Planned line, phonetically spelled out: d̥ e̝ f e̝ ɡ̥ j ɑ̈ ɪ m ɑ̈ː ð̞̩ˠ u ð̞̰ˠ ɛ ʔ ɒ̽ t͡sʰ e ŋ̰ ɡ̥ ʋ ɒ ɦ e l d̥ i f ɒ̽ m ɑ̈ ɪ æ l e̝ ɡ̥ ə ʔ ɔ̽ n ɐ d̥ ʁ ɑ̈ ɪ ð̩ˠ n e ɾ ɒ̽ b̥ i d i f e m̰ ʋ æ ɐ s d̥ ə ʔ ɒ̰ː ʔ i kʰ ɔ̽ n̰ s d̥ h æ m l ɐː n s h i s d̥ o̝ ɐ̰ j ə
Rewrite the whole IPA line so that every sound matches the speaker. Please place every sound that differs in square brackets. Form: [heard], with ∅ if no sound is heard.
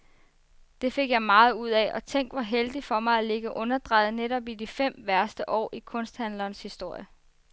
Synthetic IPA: d̥ e̝ f e̝ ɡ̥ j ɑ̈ ɪ m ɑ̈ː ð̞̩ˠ u ð̞̰ˠ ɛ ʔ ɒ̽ t͡sʰ e ŋ̰ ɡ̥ ʋ ɒ ɦ e l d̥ i f ɒ̽ m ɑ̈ ɪ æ l e̝ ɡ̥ ə ʔ ɔ̽ n ɐ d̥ ʁ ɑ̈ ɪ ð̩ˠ n e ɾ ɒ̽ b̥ i d i f e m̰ ʋ æ ɐ s d̥ ə ʔ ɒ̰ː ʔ i kʰ ɔ̽ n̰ s d̥ h æ [n] l ɐː n s h i s d̥ o̝ ɐ̰ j ə